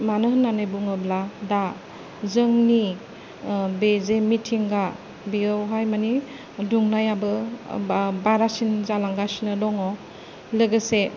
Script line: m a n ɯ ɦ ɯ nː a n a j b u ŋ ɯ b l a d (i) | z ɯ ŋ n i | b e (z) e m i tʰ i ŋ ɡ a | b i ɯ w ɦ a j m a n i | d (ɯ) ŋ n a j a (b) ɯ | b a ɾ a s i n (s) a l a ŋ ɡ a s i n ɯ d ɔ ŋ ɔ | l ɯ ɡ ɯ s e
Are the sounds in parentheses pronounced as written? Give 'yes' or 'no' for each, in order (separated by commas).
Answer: no, yes, no, yes, no